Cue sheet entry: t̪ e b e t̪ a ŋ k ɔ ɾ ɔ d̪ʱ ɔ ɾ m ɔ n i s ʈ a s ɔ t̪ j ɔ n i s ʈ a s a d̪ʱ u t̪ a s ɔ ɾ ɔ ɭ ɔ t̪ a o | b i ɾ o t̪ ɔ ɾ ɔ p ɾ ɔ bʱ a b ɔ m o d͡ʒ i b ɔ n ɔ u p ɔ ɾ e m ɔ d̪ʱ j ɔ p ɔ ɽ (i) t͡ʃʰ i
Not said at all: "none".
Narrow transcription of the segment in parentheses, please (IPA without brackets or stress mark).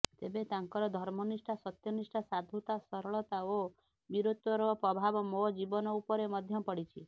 i